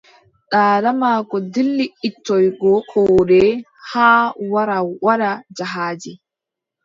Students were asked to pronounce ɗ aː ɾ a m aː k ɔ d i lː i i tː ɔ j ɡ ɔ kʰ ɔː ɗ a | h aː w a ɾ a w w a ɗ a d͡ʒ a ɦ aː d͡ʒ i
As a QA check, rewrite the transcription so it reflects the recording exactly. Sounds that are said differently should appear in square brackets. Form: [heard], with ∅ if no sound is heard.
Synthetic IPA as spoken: ɗ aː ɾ a m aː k ɔ d i lː i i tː ɔ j ɡ ɔ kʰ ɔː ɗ [ɛ] | h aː w a ɾ a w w a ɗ a d͡ʒ a ɦ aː d͡ʒ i